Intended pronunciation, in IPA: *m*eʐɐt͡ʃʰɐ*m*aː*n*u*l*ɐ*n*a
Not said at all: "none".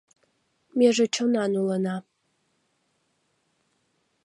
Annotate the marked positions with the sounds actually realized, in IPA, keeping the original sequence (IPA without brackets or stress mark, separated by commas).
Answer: m, n, n, l, n